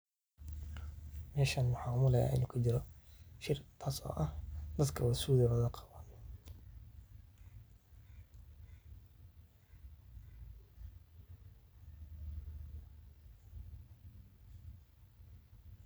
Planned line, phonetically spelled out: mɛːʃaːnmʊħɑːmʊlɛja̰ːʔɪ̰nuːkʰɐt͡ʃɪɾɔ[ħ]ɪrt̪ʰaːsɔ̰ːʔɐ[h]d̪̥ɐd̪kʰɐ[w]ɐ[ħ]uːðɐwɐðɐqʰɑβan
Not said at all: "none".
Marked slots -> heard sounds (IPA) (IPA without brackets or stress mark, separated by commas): ʃ, h, w, s